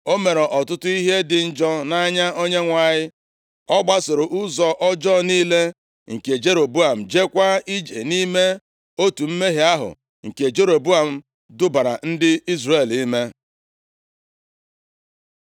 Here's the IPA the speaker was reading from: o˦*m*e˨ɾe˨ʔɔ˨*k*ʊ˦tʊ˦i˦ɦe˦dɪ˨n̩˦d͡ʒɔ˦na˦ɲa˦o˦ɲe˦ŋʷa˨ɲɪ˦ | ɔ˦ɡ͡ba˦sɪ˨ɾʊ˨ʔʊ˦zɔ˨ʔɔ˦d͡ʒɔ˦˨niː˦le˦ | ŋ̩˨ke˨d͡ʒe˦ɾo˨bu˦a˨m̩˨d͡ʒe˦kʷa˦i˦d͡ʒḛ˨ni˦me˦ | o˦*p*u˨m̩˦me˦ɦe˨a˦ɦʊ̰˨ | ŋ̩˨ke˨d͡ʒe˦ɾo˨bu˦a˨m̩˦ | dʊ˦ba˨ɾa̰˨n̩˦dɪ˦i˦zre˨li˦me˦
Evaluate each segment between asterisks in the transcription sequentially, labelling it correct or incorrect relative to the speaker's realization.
correct, incorrect: t, incorrect: t

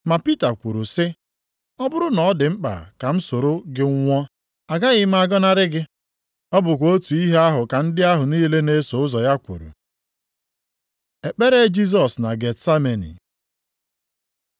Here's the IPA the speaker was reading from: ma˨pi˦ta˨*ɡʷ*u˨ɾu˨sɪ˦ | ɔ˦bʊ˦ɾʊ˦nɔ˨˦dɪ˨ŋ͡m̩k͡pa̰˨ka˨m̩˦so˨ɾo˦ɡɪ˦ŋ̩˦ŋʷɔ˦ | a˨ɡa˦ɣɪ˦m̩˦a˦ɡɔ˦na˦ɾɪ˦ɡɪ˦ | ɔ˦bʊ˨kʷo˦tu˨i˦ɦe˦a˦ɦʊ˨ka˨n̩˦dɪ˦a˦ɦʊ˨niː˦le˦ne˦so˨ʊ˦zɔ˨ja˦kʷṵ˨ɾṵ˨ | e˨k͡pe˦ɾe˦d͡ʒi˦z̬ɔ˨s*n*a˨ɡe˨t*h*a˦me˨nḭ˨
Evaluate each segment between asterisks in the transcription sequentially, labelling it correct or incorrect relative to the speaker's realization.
incorrect: kʷ, correct, incorrect: s

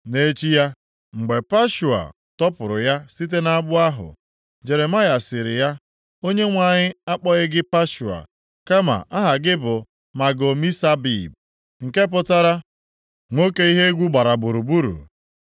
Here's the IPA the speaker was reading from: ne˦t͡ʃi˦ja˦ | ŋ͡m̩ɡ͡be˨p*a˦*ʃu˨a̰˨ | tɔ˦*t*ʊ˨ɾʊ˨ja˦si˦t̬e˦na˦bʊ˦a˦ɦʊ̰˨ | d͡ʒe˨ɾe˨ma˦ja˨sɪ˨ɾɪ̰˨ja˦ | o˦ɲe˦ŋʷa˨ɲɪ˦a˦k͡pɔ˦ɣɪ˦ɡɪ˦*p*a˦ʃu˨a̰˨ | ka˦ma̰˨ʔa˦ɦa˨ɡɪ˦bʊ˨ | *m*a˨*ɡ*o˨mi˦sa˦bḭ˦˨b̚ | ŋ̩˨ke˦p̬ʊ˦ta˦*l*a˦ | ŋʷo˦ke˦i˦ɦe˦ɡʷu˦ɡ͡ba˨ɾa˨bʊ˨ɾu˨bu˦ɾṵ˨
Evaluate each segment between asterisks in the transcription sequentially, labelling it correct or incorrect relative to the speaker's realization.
correct, incorrect: p, correct, correct, correct, incorrect: ɾ

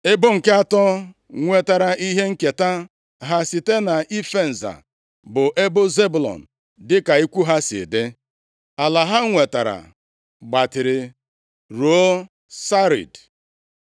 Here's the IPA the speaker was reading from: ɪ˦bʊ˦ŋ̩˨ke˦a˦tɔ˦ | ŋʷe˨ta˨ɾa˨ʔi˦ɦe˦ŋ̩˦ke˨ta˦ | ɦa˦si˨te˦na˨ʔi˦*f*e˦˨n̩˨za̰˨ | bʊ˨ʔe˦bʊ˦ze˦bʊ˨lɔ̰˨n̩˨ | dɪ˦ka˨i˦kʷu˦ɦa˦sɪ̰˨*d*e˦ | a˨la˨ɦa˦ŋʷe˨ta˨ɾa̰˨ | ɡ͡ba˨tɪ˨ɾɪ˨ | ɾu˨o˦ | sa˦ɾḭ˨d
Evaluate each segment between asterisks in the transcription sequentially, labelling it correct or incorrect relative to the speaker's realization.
correct, correct

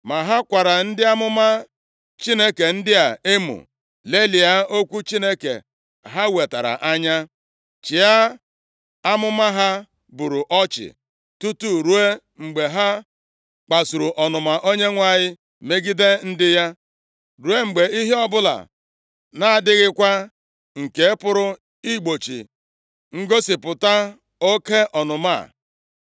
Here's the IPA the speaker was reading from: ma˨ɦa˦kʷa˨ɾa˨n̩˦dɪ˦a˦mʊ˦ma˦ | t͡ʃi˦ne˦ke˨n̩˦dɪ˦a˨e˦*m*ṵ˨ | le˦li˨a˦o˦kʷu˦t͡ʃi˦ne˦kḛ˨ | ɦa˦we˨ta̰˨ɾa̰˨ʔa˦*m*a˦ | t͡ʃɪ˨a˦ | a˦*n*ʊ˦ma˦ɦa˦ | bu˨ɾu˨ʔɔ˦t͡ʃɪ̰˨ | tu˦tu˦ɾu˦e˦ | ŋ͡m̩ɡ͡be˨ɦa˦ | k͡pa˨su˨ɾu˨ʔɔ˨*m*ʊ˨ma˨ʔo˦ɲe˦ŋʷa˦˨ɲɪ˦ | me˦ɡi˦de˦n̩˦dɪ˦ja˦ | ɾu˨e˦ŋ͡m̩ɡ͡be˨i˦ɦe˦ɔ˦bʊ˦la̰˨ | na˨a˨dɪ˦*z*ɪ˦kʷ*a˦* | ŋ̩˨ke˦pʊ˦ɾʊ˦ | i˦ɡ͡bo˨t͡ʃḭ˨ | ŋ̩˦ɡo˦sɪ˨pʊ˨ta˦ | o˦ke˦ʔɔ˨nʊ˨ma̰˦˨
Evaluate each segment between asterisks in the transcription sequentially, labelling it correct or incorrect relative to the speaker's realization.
correct, incorrect: ɲ, incorrect: m, incorrect: n, incorrect: ɣ, correct

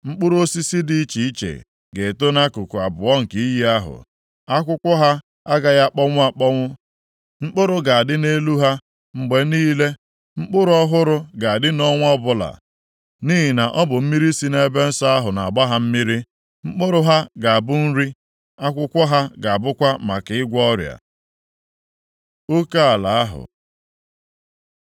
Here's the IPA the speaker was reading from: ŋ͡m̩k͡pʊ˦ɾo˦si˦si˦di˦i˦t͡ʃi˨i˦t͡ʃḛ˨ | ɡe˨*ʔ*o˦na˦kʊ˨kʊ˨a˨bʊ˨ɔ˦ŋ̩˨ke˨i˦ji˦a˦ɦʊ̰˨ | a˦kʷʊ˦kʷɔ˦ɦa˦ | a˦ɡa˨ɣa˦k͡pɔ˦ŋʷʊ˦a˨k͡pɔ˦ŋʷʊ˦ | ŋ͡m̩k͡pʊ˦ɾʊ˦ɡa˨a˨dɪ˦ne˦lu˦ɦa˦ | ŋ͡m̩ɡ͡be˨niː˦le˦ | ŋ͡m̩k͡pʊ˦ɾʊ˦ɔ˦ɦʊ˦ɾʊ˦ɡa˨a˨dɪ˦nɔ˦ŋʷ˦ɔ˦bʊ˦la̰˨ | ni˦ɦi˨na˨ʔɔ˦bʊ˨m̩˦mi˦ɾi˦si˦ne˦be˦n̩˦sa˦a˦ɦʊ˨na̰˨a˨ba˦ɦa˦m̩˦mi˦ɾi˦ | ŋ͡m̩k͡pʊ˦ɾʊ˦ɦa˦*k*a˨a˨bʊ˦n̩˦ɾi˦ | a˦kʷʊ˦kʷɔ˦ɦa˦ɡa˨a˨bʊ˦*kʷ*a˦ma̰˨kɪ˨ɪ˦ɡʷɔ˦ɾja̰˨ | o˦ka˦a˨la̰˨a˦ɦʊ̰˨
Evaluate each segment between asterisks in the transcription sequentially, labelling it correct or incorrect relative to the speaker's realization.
incorrect: t, incorrect: ɡ, correct

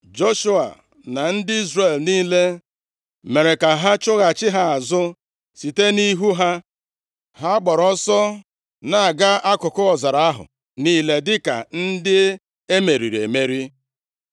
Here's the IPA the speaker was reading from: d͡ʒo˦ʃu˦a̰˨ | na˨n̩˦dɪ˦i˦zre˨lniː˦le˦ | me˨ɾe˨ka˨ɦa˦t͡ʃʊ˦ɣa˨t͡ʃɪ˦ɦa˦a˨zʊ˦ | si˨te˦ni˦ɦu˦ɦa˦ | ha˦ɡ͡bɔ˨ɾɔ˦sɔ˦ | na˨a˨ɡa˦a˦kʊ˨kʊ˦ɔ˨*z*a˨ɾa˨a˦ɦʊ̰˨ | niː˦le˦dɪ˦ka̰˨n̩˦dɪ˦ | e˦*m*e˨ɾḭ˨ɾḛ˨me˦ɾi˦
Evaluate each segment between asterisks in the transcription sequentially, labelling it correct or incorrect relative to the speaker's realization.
correct, correct

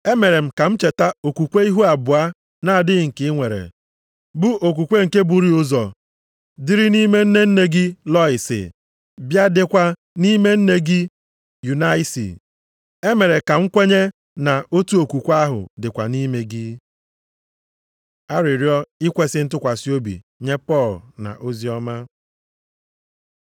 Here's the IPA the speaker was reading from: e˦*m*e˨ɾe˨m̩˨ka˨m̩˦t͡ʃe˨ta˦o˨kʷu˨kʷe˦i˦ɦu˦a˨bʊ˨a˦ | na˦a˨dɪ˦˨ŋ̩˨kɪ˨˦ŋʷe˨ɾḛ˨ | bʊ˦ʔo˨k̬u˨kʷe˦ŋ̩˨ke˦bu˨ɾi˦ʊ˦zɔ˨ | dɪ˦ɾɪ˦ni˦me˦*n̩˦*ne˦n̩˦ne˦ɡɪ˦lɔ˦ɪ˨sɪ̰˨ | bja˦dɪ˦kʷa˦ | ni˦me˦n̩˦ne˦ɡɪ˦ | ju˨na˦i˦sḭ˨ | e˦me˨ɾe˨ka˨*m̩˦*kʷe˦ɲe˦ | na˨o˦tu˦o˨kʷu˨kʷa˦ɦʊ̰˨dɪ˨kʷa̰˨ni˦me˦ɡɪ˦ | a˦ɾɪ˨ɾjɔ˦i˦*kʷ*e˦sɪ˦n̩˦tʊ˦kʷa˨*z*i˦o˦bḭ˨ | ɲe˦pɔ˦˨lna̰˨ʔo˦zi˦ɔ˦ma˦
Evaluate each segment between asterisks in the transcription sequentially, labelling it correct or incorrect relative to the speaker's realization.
correct, correct, incorrect: ŋ̩˦, correct, incorrect: s

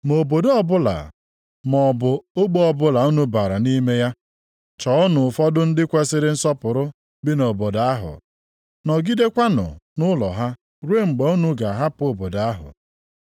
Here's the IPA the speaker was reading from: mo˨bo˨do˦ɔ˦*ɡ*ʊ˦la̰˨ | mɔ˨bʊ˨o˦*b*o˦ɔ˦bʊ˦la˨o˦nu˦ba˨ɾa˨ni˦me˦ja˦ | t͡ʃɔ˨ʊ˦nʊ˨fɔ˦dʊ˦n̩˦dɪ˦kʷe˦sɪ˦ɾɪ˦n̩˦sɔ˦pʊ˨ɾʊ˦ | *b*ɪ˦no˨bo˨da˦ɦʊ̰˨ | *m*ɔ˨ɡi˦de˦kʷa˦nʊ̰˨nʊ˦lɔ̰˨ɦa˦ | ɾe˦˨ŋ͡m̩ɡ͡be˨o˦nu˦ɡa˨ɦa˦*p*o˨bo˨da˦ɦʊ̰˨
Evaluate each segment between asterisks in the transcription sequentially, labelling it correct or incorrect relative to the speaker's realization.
incorrect: b, incorrect: ɡ͡b, correct, incorrect: n, correct

